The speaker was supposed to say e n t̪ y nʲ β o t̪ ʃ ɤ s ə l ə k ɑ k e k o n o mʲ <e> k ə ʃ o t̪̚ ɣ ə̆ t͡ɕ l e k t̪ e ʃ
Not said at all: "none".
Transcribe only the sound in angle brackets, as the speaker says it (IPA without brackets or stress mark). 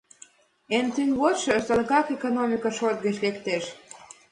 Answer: i